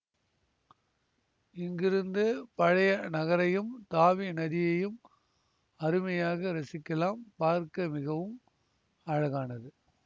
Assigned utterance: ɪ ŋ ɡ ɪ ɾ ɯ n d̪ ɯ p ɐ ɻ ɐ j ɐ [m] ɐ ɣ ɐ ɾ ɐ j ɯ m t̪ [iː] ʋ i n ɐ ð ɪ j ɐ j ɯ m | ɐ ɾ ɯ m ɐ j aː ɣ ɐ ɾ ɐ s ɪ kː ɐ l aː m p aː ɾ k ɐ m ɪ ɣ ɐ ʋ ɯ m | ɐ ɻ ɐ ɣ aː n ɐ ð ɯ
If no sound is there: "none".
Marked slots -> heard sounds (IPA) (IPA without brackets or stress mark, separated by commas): n, aː